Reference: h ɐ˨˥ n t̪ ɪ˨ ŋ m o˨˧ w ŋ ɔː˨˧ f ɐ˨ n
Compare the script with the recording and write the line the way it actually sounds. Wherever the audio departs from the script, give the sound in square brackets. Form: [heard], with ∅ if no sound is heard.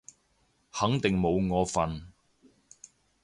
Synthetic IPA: h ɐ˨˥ [ŋ] t̪ ɪ˨ ŋ m o˨˧ w ŋ ɔː˨˧ f ɐ˨ n